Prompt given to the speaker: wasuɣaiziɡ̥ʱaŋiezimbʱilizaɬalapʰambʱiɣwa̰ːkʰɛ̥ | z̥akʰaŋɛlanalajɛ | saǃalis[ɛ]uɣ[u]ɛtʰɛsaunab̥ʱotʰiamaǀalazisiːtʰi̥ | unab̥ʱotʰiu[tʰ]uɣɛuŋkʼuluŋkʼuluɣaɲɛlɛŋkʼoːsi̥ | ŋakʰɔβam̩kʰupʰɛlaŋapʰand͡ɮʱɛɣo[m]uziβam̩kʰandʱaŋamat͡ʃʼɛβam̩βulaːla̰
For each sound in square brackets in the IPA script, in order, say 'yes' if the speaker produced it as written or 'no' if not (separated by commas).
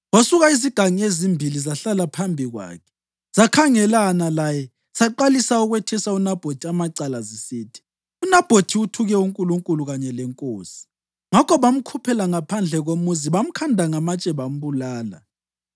no, no, yes, yes